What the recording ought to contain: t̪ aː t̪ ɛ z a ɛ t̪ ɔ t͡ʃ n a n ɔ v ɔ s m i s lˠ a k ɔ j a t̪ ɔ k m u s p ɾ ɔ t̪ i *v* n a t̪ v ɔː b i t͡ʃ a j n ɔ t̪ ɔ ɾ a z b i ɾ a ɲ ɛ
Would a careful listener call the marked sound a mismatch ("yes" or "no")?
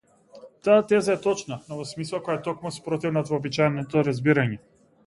no